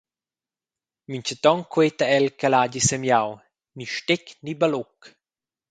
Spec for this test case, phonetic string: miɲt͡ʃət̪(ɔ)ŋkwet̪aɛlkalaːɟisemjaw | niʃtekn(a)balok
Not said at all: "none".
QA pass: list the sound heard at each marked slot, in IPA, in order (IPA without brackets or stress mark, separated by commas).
ɔ, i